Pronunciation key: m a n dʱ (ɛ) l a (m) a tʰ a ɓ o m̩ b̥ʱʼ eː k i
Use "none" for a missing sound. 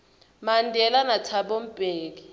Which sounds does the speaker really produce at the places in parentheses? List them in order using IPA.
ɛ, n

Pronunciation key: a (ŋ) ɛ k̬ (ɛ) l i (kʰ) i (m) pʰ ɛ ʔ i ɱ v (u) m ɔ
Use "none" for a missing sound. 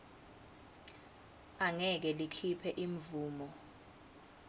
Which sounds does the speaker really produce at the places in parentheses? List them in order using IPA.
ŋ, ɛ, kʰ, none, uː

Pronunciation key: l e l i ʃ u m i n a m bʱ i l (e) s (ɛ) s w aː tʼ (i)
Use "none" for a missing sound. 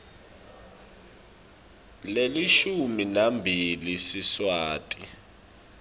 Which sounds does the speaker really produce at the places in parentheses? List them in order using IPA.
i, i, i

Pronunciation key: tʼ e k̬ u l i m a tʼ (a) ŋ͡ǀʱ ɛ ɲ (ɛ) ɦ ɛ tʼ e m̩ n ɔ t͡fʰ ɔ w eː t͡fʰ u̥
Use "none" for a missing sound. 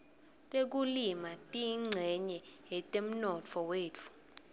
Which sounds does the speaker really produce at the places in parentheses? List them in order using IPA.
i, ɛ

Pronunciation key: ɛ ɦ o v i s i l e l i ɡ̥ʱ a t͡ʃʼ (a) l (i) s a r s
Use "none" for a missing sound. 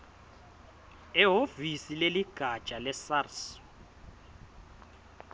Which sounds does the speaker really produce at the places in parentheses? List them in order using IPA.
a, ɛ

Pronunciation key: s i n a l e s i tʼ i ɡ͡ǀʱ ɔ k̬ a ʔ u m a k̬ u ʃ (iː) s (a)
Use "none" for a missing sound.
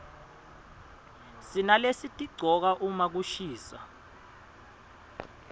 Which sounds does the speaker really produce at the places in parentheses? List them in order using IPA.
iː, a

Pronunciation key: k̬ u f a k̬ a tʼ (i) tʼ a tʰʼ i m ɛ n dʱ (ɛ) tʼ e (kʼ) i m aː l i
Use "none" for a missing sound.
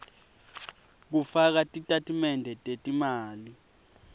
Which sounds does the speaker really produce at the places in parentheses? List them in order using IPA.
i, ɛ, tʼ

